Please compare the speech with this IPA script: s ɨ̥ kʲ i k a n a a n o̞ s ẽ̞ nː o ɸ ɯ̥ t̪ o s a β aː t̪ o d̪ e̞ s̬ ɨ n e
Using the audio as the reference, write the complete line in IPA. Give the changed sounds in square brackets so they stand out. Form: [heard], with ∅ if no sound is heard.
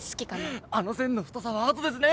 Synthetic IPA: s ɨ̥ kʲ i k a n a a n o̞ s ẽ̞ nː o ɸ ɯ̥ t̪ o s a β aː t̪ o d̪ e̞ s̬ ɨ n e